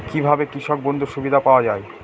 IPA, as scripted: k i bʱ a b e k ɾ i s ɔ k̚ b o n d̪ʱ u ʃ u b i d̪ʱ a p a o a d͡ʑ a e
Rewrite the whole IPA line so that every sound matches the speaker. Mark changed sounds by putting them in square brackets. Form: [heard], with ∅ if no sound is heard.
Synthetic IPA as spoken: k i bʱ a b e k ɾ i [ʃ] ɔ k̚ b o n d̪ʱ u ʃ u b i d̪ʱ a p a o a d͡ʑ a e